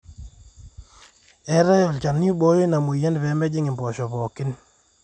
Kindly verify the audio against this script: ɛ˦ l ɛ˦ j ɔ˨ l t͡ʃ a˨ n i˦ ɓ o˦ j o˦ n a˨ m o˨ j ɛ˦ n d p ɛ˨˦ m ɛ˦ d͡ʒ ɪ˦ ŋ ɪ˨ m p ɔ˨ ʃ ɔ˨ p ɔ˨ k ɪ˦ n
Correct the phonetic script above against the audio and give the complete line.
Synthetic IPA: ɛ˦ ɾ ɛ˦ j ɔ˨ l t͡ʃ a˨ n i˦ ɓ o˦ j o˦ n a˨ m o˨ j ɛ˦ n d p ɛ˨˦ m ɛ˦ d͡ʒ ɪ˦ ŋ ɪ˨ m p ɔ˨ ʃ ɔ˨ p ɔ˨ k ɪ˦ n